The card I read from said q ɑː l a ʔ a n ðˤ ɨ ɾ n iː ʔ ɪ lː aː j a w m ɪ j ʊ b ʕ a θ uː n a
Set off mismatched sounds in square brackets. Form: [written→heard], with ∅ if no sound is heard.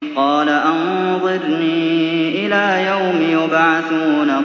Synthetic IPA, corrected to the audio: q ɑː l a ʔ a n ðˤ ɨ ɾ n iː ʔ ɪ [lː→l] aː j a w m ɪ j ʊ b ʕ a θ uː n a